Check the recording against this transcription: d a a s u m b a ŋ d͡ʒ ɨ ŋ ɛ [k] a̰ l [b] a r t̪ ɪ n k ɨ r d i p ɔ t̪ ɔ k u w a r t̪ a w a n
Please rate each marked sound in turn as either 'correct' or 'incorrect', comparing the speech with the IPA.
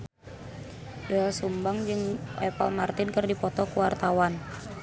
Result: incorrect: p, incorrect: m

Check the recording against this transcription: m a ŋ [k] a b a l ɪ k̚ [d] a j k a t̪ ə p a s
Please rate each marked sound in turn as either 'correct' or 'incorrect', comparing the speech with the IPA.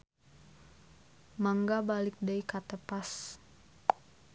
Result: incorrect: ɡ, correct

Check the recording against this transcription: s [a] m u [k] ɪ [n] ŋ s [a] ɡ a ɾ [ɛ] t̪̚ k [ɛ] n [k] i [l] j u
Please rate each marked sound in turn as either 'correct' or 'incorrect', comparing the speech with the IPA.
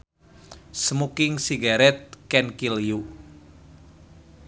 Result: incorrect: ə, correct, incorrect: none, incorrect: i, correct, correct, correct, correct

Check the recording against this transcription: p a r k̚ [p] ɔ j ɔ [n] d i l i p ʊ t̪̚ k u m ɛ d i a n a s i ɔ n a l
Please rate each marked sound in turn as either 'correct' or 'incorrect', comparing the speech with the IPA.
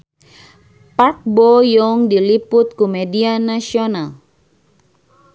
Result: incorrect: b, incorrect: ŋ

